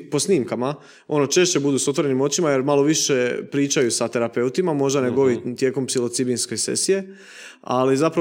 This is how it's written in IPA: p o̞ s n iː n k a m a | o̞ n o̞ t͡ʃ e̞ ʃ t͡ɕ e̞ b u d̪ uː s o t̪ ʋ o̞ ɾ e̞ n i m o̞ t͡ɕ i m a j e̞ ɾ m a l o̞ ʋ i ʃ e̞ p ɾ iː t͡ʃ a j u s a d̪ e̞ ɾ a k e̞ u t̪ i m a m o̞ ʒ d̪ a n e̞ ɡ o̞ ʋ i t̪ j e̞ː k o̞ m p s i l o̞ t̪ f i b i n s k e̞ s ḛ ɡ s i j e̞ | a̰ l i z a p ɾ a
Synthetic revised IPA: p o̞ s n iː m k a m a | o̞ n o̞ t͡ʃ e̞ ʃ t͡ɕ e̞ b u d̪ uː s o t̪ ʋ o̞ ɾ e̞ n i m o̞ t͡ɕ i m a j e̞ ɾ m a l o̞ ʋ i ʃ e̞ p ɾ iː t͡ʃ a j u s a t̪ e̞ ɾ a p e̞ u t̪ i m a m o̞ ʒ d̪ a n e̞ ɡ o̞ ʋ i t̪ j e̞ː k o̞ m p s i l o̞ t̪ s i b i n s k e̞ s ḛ s i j e̞ | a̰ l i z a p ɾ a